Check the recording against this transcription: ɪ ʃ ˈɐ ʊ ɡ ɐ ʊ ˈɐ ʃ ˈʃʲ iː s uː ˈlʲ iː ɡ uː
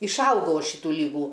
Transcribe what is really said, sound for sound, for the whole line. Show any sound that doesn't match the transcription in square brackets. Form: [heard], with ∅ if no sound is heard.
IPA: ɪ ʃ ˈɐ ʊ ɡ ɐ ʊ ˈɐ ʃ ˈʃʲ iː [t] uː ˈlʲ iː ɡ uː